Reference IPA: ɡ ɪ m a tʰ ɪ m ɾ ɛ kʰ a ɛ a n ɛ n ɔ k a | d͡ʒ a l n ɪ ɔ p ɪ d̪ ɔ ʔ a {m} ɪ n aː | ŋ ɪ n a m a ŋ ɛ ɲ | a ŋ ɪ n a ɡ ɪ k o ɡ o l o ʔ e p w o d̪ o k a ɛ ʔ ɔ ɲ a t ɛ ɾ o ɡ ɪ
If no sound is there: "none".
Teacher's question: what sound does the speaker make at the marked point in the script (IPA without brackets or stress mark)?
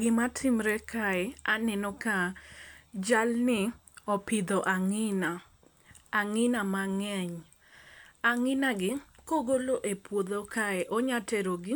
ŋ